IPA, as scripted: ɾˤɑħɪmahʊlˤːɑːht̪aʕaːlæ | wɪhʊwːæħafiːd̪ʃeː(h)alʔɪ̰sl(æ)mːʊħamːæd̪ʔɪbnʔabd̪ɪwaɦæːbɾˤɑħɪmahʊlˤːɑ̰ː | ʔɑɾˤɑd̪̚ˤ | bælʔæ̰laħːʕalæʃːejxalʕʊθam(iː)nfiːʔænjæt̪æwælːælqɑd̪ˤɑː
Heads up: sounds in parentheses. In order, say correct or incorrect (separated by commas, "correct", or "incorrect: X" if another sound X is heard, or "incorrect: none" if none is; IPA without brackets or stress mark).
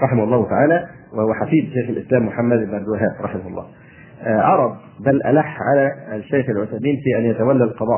incorrect: x, incorrect: æː, correct